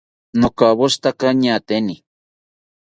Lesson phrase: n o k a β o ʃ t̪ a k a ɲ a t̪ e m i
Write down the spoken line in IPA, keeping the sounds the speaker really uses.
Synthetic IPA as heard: n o k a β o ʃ t̪ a k a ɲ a t̪ e n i